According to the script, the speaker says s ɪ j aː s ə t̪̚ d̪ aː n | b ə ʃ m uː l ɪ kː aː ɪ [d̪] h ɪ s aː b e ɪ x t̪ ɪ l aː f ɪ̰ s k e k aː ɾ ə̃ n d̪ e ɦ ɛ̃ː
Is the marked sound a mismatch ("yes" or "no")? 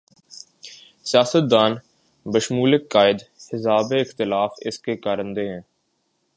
no